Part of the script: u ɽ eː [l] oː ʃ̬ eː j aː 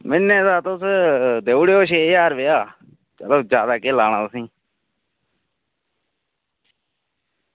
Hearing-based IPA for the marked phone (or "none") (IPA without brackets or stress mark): none